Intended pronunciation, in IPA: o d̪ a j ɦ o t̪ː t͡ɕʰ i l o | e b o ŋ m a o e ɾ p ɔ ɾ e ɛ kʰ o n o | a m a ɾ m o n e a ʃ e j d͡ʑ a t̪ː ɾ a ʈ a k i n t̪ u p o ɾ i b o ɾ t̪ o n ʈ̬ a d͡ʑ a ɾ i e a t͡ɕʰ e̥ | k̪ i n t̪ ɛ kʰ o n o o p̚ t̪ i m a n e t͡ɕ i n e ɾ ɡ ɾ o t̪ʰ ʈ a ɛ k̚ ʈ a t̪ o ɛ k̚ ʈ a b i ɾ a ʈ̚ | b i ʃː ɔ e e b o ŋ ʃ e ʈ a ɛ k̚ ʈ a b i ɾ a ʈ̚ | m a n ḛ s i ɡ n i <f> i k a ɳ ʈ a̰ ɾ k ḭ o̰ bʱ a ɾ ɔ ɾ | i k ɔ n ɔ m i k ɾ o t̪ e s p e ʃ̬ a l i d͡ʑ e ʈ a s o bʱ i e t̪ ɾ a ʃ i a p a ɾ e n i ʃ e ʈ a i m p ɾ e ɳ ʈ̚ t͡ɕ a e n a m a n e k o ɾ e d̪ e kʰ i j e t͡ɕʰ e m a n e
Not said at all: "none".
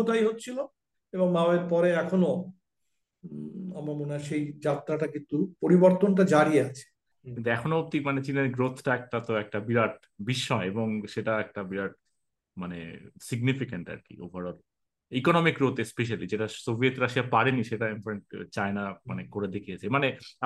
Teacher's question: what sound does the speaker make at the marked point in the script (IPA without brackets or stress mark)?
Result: f